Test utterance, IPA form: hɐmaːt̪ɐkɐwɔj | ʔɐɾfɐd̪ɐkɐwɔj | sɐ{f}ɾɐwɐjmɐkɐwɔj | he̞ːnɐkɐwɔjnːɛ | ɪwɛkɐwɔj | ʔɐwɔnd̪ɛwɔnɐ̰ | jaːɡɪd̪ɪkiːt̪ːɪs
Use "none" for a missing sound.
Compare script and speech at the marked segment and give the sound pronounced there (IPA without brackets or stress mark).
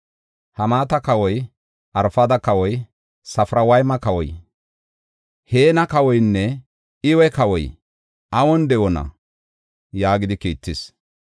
f